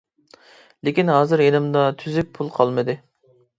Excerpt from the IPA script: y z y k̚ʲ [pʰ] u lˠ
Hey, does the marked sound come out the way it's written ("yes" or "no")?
yes